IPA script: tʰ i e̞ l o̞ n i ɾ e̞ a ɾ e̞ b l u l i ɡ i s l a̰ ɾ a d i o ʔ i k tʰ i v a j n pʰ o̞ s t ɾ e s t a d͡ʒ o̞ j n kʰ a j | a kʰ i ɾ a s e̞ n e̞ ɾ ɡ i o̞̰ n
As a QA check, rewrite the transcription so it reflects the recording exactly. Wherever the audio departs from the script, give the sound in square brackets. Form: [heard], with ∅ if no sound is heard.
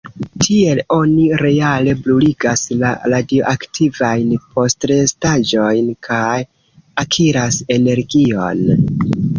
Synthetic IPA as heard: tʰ i e̞ l o̞ n i ɾ e̞ a [l] e̞ b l u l i ɡ [a] s l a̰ ɾ a d i o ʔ [a] k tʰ i v a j n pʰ o̞ s t ɾ e s t a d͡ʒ o̞ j n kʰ a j | a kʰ i ɾ a s e̞ n e̞ ɾ ɡ i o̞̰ n